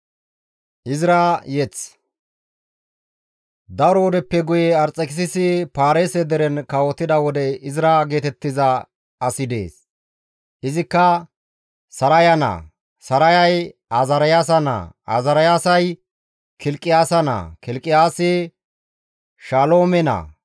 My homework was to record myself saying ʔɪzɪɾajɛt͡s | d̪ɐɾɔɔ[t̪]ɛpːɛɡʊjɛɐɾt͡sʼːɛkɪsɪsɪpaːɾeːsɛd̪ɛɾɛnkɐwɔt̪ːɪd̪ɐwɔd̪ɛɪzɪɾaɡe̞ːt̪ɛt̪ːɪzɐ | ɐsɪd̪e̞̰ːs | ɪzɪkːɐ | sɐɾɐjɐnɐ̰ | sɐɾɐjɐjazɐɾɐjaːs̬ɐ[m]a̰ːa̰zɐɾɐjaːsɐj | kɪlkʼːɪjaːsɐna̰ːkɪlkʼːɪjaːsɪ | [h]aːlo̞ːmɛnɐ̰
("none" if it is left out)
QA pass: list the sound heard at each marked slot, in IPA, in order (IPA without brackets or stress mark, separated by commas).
d̪, n, ʃ